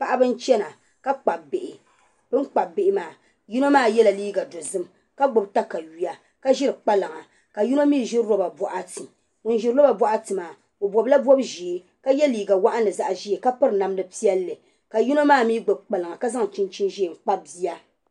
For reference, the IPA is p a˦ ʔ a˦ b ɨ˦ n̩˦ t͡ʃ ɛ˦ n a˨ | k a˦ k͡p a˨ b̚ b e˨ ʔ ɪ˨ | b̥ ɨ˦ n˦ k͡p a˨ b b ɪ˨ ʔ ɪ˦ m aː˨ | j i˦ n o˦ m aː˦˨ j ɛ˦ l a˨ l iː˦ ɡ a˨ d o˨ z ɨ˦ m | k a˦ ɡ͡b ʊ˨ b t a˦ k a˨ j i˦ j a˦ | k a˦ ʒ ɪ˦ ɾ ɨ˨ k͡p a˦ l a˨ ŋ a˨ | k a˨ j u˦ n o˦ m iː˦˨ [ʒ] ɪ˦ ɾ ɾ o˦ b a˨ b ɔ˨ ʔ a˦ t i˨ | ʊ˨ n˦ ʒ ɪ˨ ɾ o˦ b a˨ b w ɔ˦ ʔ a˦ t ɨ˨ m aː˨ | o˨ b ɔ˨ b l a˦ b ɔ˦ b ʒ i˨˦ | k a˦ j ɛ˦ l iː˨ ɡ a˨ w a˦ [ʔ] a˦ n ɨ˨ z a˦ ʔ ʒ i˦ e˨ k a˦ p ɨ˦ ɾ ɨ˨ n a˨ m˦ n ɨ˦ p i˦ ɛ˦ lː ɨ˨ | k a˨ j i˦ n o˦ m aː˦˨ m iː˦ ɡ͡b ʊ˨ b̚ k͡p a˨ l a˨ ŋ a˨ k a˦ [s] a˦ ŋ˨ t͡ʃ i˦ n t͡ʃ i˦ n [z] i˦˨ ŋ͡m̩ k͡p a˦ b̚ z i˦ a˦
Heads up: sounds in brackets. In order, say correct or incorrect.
correct, correct, incorrect: z, incorrect: ʒ

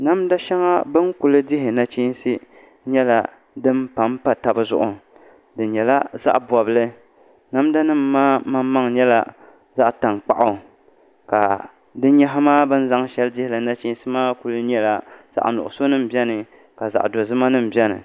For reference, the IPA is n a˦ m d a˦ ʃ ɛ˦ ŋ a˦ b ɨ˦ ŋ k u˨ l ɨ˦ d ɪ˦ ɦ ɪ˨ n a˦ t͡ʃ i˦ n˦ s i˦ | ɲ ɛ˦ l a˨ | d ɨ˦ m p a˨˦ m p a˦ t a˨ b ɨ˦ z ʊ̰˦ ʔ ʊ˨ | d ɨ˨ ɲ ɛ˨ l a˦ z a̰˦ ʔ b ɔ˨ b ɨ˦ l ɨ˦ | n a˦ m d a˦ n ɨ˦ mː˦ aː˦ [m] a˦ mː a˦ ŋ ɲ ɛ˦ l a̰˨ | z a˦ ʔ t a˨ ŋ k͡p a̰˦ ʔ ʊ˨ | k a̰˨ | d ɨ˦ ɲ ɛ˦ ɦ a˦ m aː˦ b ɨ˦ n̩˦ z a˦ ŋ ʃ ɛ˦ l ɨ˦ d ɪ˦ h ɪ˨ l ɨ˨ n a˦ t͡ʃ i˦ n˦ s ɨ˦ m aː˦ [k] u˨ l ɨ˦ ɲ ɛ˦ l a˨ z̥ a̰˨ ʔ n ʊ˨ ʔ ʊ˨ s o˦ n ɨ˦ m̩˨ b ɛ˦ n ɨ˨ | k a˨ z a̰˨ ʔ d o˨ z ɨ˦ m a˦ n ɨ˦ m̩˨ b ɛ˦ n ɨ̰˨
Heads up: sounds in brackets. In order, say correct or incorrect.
correct, correct

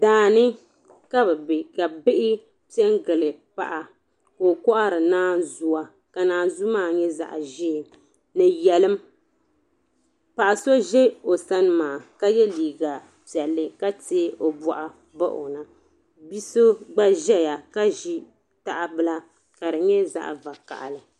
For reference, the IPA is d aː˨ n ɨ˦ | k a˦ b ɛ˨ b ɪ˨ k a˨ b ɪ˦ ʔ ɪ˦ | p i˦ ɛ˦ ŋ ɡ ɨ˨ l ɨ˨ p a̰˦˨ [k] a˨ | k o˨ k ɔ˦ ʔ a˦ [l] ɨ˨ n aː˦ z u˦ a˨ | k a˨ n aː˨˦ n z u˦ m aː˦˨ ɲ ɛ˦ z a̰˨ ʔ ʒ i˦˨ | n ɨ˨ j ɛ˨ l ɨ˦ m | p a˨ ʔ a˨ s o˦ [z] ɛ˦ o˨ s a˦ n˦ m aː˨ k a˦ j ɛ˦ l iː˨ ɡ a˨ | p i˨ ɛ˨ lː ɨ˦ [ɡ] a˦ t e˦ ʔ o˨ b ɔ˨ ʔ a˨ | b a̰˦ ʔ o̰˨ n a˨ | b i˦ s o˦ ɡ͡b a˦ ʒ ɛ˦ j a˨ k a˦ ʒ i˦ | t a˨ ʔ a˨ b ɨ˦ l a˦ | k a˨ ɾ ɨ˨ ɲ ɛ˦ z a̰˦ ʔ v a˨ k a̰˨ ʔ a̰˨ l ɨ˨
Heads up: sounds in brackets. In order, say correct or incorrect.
incorrect: ʔ, incorrect: ɾ, incorrect: ʒ, incorrect: k

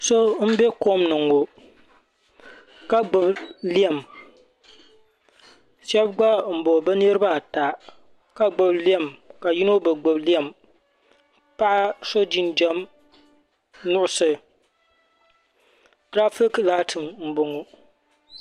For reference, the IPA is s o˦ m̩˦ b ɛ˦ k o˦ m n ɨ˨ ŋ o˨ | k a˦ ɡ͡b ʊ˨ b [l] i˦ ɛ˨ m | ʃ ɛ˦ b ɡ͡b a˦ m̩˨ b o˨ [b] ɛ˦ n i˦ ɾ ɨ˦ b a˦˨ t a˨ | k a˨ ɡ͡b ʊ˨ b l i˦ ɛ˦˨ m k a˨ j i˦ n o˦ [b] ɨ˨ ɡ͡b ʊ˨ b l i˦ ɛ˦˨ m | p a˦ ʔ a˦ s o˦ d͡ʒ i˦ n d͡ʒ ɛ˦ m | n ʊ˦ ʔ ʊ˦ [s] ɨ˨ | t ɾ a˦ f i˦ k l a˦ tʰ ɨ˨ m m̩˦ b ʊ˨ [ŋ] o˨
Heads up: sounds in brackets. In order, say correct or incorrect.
correct, correct, correct, correct, correct

